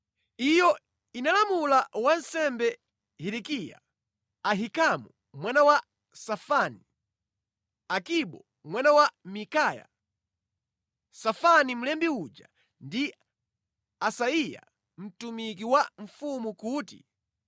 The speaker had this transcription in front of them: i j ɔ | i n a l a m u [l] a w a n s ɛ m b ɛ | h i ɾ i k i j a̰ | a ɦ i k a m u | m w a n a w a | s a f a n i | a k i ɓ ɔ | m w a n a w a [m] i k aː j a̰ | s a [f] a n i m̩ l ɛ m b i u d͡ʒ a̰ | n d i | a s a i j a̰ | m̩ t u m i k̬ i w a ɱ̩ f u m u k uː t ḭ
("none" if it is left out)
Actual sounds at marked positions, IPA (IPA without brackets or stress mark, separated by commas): l, m, f